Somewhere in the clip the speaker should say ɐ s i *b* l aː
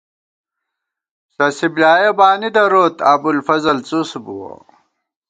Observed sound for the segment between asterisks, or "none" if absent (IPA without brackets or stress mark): b